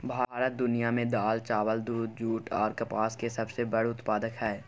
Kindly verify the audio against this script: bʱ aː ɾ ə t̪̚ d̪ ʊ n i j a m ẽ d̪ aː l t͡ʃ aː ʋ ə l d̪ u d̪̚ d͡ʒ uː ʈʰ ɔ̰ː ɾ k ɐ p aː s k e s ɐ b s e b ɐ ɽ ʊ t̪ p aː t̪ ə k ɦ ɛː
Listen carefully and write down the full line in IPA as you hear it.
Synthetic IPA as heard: bʱ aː ɾ ə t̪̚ d̪ ʊ n i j a m ẽ d̪ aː l t͡ʃ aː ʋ ə l d̪ uː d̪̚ d͡ʒ uː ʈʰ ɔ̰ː ɾ k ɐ p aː s k e s ɐ b s e b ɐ ɽ ʊ t̪ p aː d̪ ə k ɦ ɛː